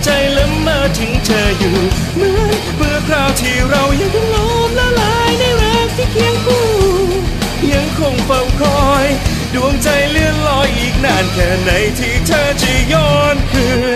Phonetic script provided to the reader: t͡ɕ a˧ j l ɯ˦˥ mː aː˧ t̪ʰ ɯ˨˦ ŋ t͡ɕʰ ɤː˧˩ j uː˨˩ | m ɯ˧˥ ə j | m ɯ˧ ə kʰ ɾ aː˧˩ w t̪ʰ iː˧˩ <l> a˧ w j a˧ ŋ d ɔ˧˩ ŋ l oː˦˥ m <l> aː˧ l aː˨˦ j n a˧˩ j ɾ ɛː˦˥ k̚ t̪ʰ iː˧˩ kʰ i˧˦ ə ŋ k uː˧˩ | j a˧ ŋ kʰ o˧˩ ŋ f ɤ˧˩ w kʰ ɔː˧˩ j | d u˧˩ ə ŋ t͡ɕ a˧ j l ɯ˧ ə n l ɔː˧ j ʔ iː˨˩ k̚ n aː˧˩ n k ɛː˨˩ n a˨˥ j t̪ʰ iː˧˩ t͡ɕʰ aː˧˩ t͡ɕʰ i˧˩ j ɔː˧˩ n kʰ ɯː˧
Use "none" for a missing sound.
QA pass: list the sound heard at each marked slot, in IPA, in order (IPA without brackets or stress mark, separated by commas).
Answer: ɾ, l